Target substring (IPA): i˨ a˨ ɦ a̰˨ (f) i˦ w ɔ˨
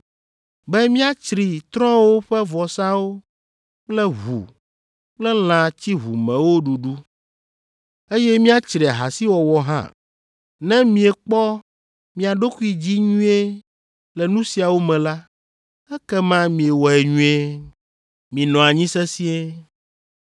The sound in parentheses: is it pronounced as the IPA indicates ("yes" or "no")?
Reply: no